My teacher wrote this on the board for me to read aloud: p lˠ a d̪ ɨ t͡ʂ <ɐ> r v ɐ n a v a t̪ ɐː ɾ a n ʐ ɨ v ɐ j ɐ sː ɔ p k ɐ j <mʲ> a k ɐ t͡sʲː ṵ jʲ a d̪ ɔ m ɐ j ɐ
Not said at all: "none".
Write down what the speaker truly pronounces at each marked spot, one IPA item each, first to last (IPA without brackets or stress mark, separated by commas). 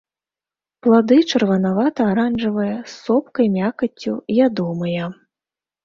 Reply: ɐ, mʲ